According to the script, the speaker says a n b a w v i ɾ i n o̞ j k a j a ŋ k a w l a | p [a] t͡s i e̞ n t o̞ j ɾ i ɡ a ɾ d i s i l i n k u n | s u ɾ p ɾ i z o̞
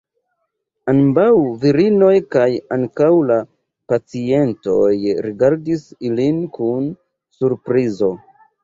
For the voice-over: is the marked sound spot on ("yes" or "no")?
yes